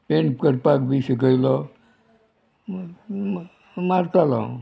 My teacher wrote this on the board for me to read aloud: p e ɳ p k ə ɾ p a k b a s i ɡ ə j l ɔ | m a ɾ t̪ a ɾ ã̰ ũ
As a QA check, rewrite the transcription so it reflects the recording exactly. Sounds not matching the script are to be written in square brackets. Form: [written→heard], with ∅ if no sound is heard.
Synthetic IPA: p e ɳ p k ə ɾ p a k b [a→i] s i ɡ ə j l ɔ | m a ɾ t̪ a [ɾ→l] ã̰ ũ